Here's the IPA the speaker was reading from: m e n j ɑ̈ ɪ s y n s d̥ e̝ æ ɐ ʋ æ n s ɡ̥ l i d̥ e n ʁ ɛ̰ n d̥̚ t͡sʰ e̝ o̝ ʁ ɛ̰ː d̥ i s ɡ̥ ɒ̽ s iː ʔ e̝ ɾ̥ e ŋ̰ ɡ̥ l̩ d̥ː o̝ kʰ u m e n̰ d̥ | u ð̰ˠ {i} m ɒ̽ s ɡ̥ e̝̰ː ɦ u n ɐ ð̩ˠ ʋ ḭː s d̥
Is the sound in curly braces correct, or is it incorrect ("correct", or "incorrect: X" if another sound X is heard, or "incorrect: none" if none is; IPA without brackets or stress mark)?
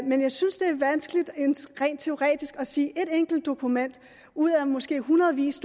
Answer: incorrect: æ